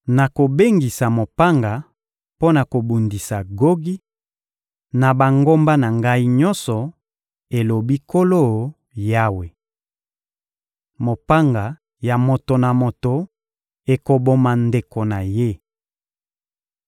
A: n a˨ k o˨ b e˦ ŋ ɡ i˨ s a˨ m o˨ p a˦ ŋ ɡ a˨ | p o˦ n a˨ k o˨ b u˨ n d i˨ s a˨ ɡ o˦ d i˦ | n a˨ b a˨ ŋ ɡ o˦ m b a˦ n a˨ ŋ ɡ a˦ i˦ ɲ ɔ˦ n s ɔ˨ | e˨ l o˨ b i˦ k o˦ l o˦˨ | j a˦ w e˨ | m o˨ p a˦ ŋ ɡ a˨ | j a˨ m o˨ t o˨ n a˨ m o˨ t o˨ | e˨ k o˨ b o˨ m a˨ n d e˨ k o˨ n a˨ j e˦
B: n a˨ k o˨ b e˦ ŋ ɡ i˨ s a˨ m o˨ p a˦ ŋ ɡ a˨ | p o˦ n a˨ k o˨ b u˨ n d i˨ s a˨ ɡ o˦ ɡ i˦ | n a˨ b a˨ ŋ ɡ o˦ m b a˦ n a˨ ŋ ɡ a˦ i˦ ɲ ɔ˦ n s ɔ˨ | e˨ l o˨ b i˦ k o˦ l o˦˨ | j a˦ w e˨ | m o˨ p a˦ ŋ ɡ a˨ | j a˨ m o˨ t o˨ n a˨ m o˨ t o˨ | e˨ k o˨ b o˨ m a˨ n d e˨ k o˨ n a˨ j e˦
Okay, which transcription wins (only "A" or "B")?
B